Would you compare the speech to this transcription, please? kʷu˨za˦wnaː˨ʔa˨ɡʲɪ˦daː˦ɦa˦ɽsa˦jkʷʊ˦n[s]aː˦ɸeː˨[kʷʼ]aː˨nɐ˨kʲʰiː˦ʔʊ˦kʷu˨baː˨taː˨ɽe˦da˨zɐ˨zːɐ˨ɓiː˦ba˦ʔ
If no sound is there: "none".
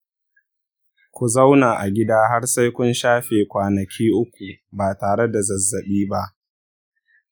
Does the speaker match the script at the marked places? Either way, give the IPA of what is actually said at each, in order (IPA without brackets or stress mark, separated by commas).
ʃ, kʷ